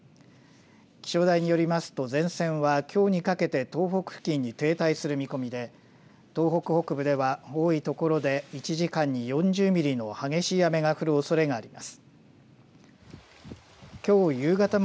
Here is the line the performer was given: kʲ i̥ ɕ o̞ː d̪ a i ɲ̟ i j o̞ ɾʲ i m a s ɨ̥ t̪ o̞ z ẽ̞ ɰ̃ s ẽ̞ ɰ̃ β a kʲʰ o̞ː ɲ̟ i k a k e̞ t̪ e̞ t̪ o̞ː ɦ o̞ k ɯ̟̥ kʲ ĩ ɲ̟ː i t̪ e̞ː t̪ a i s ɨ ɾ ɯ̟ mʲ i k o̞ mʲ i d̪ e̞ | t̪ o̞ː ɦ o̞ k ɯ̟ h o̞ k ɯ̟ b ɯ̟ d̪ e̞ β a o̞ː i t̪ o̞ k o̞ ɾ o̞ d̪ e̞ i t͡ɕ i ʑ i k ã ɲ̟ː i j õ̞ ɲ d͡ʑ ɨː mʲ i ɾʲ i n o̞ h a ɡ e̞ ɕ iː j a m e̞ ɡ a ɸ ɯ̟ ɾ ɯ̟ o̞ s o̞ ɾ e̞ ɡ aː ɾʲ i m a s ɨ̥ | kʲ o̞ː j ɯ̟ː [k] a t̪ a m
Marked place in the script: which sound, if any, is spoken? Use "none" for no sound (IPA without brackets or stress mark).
ɡ